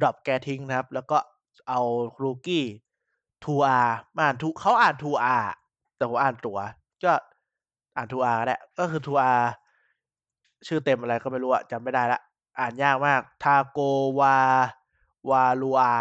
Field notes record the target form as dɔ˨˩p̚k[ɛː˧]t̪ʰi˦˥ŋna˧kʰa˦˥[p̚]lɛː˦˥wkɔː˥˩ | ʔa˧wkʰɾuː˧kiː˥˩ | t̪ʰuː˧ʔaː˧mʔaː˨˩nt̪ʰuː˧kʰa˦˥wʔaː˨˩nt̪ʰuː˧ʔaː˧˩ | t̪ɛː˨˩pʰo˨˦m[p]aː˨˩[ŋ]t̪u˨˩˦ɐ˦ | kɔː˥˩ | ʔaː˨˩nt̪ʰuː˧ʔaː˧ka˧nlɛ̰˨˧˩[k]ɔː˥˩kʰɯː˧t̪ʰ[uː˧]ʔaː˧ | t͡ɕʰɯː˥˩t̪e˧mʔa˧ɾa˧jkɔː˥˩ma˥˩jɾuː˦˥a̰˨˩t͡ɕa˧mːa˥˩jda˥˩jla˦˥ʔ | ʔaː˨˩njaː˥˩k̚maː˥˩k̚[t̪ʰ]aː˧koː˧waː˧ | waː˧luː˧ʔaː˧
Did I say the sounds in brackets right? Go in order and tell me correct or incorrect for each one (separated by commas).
correct, correct, incorrect, incorrect, correct, correct, correct